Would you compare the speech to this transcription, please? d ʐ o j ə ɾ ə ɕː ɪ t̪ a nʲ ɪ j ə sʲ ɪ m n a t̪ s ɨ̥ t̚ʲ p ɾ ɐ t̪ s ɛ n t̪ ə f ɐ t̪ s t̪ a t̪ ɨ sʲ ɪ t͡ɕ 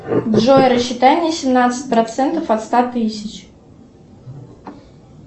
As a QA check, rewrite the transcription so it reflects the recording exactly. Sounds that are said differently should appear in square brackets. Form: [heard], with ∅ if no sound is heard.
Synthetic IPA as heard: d ʐ o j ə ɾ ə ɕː ɪ t̪ a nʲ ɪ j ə sʲ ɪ m n a t̪ s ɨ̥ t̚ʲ p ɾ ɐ t̪ s ɛ n t̪ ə f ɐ t̪ s t̪ a t̪ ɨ sʲ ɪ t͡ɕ